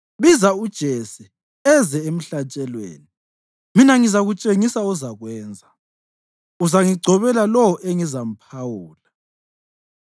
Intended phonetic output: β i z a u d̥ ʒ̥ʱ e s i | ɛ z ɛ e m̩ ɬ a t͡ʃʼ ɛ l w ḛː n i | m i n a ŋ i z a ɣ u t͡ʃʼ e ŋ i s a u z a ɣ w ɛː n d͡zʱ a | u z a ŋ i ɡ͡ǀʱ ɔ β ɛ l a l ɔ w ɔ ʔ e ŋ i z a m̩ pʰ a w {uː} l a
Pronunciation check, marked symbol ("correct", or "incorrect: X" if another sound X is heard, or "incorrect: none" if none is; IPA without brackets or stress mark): correct